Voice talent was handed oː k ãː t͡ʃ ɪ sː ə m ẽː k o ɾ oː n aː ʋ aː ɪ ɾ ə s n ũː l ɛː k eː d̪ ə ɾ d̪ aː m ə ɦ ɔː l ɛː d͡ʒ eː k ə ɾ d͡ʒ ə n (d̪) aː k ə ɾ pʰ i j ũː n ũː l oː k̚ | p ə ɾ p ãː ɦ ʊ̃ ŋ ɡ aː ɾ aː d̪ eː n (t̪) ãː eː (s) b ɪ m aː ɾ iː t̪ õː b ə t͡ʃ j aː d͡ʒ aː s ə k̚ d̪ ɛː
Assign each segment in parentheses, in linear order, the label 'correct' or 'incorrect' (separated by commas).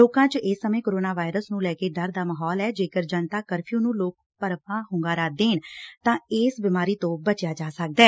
incorrect, correct, correct